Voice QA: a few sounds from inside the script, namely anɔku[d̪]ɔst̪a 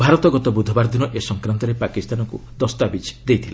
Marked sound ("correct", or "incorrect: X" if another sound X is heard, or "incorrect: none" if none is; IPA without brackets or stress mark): correct